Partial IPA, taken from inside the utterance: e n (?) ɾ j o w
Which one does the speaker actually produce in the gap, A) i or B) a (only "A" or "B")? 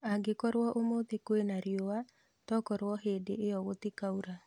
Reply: B